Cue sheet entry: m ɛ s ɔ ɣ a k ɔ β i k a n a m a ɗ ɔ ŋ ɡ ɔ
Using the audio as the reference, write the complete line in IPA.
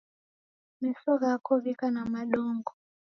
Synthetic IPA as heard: m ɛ s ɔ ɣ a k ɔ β i k a n a m a ɗ ɔ ŋ ɡ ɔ